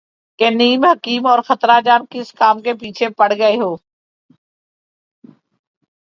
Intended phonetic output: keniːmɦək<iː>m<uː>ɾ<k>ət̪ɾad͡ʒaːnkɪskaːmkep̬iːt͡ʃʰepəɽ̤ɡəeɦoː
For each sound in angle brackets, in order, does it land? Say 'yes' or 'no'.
yes, no, no

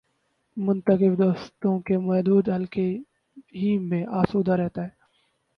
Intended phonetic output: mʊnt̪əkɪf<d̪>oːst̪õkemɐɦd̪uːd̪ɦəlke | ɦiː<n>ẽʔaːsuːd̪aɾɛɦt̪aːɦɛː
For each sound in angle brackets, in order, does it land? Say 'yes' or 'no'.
yes, no

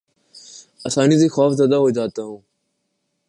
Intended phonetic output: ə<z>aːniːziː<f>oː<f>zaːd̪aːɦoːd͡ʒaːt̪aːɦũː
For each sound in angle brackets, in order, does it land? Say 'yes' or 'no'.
no, no, yes

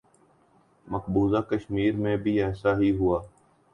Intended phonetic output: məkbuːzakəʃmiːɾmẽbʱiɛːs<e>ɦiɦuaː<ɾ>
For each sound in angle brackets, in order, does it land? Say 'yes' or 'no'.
no, no

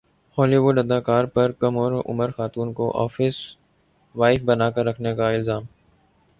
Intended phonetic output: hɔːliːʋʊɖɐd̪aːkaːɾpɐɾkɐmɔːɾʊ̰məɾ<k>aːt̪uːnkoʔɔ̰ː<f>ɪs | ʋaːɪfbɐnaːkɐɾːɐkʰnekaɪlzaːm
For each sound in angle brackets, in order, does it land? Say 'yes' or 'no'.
no, yes

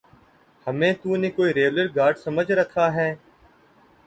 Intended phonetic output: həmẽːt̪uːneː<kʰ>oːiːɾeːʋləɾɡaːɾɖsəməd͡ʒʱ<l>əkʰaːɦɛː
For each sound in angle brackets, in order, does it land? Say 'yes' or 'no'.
no, no

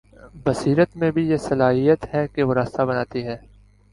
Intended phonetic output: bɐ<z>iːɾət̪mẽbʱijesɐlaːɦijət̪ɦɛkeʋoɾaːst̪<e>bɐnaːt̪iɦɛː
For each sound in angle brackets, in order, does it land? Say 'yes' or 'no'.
no, no

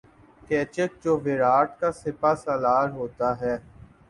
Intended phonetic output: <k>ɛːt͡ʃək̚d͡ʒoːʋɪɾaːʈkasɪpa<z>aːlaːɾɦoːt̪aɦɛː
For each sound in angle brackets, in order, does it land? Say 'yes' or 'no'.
yes, no

